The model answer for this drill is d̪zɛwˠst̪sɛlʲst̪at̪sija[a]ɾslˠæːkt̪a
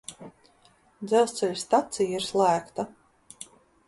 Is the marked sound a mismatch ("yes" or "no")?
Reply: yes